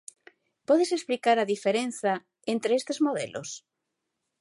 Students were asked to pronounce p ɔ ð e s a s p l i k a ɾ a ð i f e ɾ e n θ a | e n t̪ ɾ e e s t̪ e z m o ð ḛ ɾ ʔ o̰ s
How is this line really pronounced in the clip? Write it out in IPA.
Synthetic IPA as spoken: p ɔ ð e s e s p l i k a ɾ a ð i f e ɾ e n θ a | e n t̪ ɾ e e s t̪ e z m o ð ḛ l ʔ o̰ s